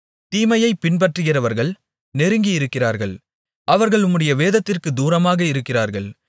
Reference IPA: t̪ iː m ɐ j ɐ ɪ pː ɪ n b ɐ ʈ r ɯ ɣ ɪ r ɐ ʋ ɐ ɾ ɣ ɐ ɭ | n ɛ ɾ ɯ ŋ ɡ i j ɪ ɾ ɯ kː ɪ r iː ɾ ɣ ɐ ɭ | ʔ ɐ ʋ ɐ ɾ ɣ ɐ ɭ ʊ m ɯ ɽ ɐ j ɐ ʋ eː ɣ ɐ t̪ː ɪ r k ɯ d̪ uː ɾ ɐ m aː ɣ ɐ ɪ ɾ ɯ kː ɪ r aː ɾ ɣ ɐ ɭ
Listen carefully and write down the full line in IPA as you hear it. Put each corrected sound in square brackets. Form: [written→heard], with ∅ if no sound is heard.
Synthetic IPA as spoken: t̪ iː m ɐ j ɐ ɪ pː ɪ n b ɐ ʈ r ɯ ɣ ɪ r ɐ ʋ ɐ ɾ ɣ ɐ ɭ | n ɛ ɾ ɯ ŋ ɡ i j ɪ ɾ ɯ kː ɪ r [iː→aː] ɾ ɣ ɐ ɭ | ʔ ɐ ʋ ɐ ɾ ɣ ɐ ɭ ʊ m ɯ ɽ ɐ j ɐ ʋ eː [ɣ→ð] ɐ t̪ː ɪ r k ɯ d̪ uː ɾ ɐ m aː ɣ ɐ ɪ ɾ ɯ kː ɪ r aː ɾ ɣ ɐ ɭ

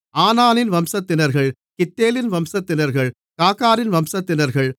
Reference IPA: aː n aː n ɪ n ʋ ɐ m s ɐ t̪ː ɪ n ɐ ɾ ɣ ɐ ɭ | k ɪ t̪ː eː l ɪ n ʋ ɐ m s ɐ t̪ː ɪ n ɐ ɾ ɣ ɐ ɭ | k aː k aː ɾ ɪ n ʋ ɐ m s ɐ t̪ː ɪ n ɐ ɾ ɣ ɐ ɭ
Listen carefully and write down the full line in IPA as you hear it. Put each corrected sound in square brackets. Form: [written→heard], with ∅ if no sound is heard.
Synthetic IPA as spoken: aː n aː n ɪ n ʋ ɐ m s ɐ t̪ː ɪ n ɐ ɾ ɣ ɐ ɭ | k ɪ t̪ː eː l ɪ n ʋ ɐ m s ɐ t̪ː ɪ n ɐ ɾ ɣ ɐ ɭ | k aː k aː ɾ ɪ n ʋ ɐ m s ɐ t̪ː ɪ n ɐ ɾ ɣ ɐ ɭ

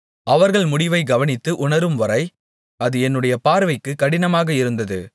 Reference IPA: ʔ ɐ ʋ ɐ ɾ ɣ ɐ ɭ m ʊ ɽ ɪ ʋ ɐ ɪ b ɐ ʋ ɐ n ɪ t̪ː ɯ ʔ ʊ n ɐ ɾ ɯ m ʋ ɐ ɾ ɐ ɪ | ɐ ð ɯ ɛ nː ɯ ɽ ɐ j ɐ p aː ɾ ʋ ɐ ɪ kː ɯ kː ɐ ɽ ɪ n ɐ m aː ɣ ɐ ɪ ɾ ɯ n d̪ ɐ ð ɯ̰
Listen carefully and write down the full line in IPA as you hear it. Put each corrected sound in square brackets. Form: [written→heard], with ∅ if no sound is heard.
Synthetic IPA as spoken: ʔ ɐ ʋ ɐ ɾ ɣ ɐ ɭ m ʊ ɽ ɪ ʋ ɐ ɪ [b→ɡ] ɐ ʋ ɐ n ɪ t̪ː ɯ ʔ ʊ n ɐ ɾ ɯ m ʋ ɐ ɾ ɐ ɪ | ɐ ð ɯ ɛ nː ɯ ɽ ɐ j ɐ p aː ɾ ʋ ɐ ɪ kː ɯ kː ɐ ɽ ɪ n ɐ m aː ɣ ɐ ɪ ɾ ɯ n d̪ ɐ ð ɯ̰

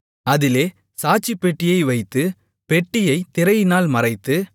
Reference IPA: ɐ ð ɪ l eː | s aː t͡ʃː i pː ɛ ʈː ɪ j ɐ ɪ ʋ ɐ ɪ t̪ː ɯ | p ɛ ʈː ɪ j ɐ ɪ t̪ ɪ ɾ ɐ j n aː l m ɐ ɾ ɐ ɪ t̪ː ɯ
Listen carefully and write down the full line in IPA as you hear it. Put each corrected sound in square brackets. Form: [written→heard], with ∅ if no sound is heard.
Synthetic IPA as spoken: ɐ ð ɪ l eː | s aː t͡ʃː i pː ɛ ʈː ɪ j ɐ ɪ ʋ ɐ ɪ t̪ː ɯ | p ɛ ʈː ɪ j ɐ ɪ t̪ ɪ ɾ ɐ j n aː l m ɐ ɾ ɐ ɪ t̪ː ɯ

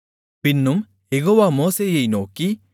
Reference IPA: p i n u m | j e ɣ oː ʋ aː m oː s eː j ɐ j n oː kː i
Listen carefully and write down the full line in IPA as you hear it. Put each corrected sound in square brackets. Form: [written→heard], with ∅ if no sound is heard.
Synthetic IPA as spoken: p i [n→nː] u m | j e ɣ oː ʋ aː m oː s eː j ɐ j n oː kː i

